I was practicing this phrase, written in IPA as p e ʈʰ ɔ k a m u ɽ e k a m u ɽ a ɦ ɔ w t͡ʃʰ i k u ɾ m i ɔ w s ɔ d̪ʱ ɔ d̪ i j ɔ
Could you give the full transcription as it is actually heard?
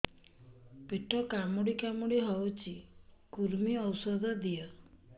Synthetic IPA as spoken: p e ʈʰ ɔ k a m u ɽ i k a m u ɽ i ɦ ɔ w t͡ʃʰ i k u ɾ m i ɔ w s ɔ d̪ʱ ɔ d̪ i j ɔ